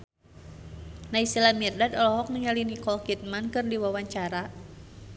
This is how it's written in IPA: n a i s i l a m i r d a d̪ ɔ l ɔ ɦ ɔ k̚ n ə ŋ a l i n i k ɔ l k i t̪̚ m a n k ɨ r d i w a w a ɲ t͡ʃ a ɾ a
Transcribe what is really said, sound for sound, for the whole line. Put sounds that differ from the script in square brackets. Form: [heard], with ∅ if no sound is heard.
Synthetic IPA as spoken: n a i s i l a m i r d a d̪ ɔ l ɔ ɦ ɔ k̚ n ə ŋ a l i n i k ɔ l k i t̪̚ m a n k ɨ r d i w a w a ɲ t͡ʃ a ɾ a